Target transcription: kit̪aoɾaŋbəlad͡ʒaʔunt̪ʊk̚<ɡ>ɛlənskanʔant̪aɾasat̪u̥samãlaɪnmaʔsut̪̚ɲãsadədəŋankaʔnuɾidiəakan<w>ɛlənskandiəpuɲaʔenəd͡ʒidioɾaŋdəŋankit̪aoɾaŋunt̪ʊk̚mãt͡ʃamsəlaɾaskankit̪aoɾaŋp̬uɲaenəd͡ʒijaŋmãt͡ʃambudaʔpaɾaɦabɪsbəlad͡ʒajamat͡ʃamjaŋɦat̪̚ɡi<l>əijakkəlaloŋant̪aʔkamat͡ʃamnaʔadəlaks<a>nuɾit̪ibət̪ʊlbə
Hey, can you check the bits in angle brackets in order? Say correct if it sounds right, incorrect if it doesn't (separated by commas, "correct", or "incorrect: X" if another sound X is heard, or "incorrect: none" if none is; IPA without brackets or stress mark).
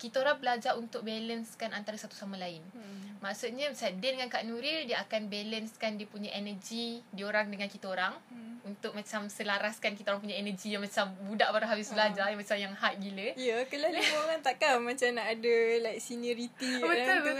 incorrect: b, incorrect: b, correct, incorrect: i